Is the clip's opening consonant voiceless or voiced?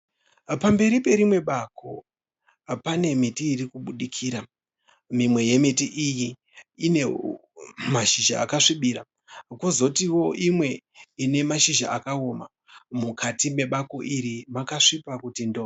voiceless